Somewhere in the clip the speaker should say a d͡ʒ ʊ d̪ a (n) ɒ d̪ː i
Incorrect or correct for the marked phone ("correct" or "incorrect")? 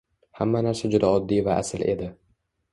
incorrect